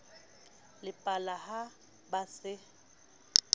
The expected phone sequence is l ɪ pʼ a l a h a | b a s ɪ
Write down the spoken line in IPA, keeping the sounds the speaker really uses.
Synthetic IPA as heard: l ɪ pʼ a l a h a | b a s ɪ